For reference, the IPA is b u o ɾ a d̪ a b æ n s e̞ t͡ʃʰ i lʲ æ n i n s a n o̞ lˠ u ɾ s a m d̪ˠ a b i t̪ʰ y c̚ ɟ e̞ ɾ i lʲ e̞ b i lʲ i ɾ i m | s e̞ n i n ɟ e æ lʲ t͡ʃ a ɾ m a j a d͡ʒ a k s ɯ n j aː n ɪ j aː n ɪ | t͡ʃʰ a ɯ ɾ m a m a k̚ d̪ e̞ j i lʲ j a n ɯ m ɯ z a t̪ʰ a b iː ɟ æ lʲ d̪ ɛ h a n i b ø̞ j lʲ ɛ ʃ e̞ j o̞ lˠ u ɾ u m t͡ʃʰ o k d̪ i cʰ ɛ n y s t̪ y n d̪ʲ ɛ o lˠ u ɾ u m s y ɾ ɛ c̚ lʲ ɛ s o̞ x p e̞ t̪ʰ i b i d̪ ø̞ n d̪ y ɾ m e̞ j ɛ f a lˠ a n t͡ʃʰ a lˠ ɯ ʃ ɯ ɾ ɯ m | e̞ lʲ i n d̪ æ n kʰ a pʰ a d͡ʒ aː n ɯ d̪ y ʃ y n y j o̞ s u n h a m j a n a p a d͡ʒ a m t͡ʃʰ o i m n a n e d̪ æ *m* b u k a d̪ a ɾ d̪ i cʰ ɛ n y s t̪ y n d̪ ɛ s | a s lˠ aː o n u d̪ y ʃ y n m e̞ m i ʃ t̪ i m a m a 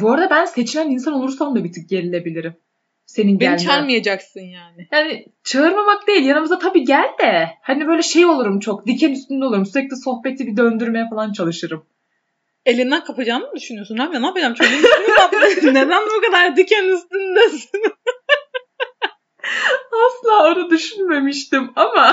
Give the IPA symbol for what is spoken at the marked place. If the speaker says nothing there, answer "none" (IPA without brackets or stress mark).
n